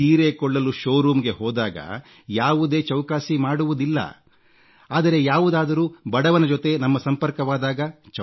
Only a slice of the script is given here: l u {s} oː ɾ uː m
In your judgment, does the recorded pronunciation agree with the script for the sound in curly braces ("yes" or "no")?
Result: no